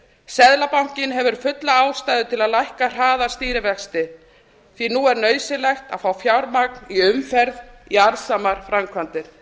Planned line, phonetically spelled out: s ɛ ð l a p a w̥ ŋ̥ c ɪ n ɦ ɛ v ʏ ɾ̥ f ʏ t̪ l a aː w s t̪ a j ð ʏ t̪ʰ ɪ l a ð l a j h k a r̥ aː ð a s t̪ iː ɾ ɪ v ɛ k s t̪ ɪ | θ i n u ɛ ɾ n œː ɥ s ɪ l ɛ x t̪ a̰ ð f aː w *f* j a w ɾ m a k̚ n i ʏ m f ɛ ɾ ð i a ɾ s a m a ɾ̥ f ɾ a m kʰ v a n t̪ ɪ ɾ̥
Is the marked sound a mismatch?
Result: no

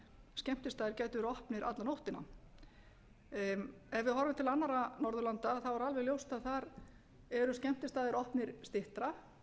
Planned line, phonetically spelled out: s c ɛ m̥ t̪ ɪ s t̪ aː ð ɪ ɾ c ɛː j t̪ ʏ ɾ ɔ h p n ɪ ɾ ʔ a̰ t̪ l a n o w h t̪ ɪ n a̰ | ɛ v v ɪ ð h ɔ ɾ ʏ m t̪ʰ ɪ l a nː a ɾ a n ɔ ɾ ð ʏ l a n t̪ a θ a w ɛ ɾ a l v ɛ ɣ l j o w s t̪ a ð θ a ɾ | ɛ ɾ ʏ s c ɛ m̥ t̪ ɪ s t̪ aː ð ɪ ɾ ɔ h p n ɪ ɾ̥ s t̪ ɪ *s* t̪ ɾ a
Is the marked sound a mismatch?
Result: yes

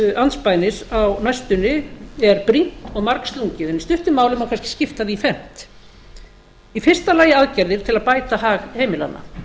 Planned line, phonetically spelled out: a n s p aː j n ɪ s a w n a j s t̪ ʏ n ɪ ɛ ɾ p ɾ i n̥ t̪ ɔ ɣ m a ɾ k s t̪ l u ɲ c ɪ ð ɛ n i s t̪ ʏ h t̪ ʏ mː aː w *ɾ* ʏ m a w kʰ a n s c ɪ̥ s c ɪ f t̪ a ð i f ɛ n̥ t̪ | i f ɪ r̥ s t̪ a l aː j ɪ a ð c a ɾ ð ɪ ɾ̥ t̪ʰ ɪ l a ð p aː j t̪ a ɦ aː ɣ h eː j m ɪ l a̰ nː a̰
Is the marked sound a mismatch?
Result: yes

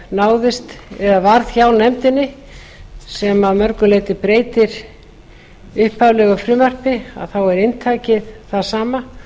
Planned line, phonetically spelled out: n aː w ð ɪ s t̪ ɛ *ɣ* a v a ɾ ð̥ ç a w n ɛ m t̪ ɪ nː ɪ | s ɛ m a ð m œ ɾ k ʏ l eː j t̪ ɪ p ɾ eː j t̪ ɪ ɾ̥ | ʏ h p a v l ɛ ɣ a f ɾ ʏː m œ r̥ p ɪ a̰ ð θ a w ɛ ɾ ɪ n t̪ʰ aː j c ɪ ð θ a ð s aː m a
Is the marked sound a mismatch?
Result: yes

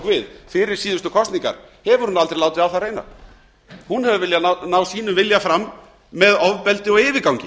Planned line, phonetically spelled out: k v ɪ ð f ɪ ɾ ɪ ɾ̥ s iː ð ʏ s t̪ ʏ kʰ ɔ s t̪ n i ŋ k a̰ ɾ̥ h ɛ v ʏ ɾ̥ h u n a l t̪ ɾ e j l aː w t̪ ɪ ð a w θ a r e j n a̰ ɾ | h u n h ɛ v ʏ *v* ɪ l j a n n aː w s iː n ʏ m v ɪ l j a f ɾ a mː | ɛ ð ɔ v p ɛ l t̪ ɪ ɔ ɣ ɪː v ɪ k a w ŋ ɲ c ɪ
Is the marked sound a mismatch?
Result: no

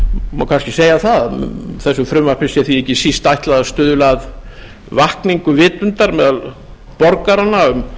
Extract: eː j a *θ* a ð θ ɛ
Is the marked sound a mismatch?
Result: no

